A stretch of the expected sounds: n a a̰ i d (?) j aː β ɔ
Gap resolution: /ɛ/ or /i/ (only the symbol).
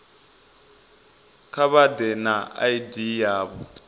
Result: i